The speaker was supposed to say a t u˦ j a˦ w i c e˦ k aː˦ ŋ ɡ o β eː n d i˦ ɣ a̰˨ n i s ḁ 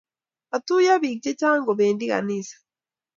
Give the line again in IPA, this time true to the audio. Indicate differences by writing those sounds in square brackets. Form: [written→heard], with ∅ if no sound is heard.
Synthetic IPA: a t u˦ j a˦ [w→β] i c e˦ [k→c] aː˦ ŋ ɡ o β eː n d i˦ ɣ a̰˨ n i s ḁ